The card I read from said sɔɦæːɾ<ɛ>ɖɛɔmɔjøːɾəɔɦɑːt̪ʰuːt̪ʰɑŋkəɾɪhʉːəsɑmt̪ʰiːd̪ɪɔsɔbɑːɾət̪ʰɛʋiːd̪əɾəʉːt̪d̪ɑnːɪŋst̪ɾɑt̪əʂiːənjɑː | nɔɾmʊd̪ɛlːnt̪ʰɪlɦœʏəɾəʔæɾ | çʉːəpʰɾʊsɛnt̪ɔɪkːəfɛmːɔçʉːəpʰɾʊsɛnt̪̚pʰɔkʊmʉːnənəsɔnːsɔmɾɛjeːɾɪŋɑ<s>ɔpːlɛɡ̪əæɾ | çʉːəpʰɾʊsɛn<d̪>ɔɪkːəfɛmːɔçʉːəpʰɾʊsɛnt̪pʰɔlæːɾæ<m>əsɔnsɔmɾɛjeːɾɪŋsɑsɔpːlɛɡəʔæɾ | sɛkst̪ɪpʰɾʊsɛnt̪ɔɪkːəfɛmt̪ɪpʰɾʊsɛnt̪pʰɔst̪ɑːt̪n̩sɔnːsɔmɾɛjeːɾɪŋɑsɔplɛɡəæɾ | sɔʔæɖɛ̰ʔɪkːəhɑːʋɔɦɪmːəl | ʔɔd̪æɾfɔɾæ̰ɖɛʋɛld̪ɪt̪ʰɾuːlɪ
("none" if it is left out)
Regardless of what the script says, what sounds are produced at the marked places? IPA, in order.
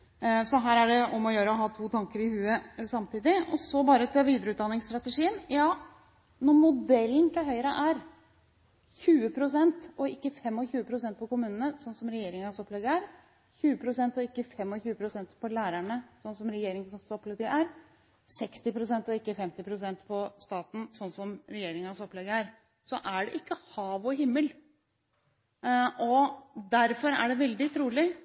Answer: æ, s, t̪, ɳ

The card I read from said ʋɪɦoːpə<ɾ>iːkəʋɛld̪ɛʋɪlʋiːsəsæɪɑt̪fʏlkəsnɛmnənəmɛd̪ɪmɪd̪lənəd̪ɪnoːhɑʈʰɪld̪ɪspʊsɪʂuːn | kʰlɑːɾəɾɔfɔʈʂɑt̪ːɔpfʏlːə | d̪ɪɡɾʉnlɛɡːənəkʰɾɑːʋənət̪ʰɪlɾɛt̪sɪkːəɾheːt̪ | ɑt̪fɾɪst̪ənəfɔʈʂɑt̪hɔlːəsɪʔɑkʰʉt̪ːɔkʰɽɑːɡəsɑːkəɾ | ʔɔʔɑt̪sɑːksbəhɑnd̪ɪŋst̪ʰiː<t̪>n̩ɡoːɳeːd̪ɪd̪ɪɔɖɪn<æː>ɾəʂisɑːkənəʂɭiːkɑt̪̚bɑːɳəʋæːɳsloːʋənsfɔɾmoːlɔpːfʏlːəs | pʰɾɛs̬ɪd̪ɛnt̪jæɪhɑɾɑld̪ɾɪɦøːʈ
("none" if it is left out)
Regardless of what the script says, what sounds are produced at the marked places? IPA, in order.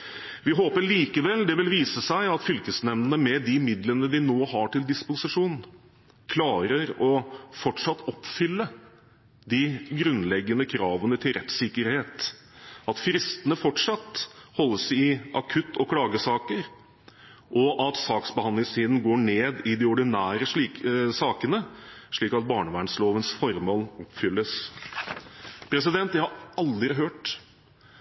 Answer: ɭ, d̪, æː

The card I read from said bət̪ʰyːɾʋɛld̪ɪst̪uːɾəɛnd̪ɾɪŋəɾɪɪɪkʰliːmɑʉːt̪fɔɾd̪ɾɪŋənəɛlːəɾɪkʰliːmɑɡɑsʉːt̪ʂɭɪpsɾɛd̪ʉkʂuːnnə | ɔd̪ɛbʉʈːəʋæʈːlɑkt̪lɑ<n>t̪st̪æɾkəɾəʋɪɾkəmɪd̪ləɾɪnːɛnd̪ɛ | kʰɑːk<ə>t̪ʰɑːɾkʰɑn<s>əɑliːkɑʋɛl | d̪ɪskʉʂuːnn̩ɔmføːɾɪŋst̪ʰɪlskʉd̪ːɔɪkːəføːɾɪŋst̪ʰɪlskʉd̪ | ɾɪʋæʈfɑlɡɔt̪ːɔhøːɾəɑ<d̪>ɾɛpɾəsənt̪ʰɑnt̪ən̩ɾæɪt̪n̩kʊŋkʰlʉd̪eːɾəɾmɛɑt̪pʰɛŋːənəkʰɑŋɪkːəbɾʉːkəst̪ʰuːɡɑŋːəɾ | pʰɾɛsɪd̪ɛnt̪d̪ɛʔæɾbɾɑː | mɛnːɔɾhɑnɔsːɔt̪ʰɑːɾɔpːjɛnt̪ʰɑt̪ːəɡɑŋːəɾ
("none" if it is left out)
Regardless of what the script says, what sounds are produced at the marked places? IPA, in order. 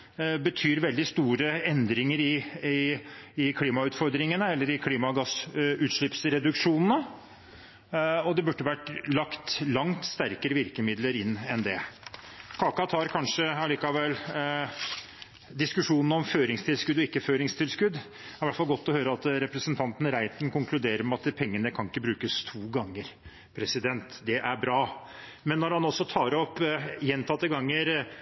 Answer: ŋ, ɑ, ʂ, t̪

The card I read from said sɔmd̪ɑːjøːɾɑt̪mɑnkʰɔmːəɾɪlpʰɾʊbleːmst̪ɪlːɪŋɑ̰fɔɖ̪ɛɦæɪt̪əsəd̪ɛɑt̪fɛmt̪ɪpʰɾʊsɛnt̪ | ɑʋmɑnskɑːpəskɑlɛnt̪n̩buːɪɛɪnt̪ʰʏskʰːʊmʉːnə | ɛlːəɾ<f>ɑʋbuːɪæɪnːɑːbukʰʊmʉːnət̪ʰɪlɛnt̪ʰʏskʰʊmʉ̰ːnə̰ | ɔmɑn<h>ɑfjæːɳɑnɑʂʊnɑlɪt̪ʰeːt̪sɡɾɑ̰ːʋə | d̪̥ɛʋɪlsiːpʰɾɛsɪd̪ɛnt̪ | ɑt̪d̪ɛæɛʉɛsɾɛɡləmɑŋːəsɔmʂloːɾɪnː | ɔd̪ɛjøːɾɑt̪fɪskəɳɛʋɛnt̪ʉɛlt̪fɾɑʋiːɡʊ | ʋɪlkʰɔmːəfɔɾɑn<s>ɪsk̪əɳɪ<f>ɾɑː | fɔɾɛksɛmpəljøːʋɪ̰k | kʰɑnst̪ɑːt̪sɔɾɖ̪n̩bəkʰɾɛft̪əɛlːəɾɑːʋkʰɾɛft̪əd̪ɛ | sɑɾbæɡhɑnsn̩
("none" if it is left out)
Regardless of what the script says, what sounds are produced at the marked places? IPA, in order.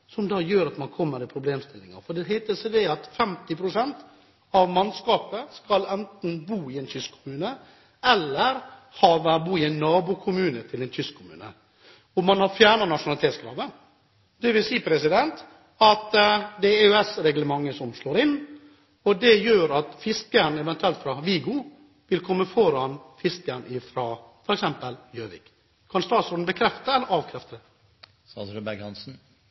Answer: h, h, f, f

